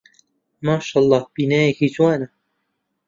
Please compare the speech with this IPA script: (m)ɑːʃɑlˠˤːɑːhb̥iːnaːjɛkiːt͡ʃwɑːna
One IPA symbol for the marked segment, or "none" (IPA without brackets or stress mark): m